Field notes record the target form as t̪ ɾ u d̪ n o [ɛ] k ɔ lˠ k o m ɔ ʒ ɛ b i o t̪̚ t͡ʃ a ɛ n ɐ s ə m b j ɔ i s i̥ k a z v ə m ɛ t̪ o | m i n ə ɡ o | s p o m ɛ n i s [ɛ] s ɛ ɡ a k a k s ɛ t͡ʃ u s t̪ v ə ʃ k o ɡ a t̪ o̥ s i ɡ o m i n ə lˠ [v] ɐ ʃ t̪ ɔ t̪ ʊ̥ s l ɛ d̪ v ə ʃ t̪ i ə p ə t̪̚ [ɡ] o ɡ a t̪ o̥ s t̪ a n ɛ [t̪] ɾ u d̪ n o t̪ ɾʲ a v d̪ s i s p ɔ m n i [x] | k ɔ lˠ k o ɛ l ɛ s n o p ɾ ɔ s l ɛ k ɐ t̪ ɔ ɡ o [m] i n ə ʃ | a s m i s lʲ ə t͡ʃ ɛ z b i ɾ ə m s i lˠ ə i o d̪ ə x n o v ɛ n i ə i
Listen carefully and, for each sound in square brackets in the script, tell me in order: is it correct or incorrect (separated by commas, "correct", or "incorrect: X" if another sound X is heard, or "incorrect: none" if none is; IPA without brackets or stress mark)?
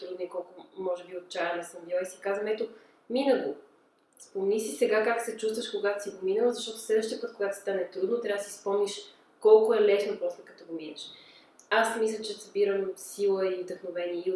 incorrect: i, incorrect: i, incorrect: z, incorrect: k, correct, incorrect: ʃ, correct